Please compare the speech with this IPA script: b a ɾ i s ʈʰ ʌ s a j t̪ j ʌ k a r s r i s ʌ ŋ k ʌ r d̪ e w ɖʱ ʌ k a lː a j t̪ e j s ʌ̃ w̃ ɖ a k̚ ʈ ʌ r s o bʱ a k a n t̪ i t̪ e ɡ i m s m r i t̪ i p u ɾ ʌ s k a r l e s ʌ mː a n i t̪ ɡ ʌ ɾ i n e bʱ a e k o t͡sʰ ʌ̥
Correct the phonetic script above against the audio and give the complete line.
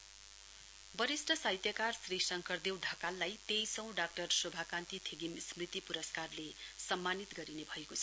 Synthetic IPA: b ʌ ɾ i s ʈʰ ʌ s a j t̪ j ʌ k a r s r i s ʌ ŋ k ʌ r d̪ e w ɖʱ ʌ k a lː a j t̪ e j s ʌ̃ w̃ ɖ a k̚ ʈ ʌ r s o bʱ a k a n t̪ i t̪ʰ e ɡ i m s m r i t̪ i p u ɾ ʌ s k a r l e s ʌ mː a n i t̪ ɡ ʌ ɾ i n e bʱ ʌ e k o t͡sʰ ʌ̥